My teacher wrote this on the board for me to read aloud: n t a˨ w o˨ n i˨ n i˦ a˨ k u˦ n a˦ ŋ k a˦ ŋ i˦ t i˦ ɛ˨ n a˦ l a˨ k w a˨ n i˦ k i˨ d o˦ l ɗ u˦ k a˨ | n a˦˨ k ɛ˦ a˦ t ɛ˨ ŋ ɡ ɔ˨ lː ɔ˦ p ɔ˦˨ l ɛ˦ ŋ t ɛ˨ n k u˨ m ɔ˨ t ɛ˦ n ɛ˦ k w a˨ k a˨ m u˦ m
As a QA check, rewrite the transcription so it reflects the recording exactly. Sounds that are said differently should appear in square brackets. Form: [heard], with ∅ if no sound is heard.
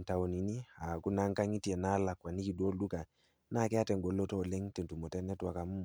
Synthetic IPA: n t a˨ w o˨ n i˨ n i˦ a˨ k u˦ n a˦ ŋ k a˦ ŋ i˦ t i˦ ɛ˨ n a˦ l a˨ k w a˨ n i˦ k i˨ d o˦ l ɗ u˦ k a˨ | n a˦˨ k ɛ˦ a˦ t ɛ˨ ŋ ɡ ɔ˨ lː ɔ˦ [t] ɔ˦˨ l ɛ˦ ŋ t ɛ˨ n [t] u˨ m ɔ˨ t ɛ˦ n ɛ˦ [t] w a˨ k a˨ m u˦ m